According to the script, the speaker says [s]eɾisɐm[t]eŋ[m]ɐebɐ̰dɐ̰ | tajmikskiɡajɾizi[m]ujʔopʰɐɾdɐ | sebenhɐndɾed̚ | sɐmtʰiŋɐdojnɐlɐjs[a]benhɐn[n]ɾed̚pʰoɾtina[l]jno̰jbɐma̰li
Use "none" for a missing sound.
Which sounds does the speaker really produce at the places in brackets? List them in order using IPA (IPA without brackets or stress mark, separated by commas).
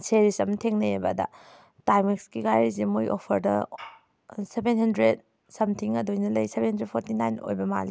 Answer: s, tʰ, n, m, e, d, none